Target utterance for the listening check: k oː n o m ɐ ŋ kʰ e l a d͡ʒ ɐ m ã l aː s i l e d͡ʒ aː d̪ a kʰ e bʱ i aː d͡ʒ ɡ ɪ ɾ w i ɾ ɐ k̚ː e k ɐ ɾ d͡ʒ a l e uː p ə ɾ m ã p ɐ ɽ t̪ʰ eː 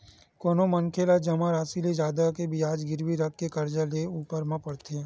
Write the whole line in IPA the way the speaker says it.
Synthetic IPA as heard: k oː n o m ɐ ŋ kʰ e l a d͡ʒ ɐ m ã ɾ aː s i l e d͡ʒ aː d̪ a k e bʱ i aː d͡ʒ ɡ ɪ ɾ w i ɾ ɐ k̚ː e k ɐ ɾ d͡ʒ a l e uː p ə ɾ m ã p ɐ ɽ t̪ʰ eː